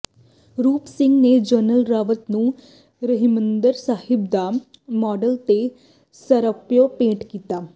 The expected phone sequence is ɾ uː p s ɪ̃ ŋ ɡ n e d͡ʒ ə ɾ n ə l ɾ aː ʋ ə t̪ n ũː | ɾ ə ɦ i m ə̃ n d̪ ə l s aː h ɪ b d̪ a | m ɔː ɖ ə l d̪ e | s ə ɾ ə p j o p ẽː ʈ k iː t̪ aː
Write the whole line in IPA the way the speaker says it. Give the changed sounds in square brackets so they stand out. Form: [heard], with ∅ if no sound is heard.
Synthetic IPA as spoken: ɾ uː p s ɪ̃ ŋ ɡ n e d͡ʒ ə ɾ n ə l ɾ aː ʋ ə t̪ n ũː | ɾ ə ɦ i m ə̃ n d̪ ə [ɾ] s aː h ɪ b d̪ a | m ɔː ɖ ə l [t̪] e | s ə ɾ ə p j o p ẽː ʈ k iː t̪ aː